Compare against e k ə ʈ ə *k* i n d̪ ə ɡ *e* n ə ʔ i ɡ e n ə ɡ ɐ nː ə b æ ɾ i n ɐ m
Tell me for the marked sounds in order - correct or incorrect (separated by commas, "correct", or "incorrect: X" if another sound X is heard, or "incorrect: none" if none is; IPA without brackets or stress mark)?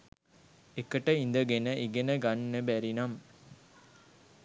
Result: incorrect: none, correct